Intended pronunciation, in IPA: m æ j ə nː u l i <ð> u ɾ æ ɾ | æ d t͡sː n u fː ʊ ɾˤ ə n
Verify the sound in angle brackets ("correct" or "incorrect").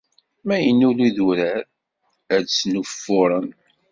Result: correct